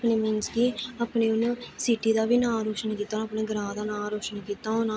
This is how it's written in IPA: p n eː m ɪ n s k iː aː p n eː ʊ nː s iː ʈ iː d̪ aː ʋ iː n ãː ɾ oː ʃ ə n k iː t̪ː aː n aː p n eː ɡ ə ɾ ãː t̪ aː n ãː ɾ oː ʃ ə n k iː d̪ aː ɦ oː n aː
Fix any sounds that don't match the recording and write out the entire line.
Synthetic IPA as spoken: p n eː m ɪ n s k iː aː p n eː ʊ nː s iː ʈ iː d̪ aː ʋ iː n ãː ɾ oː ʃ ə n k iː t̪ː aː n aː p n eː ɡ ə ɾ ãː d̪ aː n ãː ɾ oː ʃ ə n k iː t̪ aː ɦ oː n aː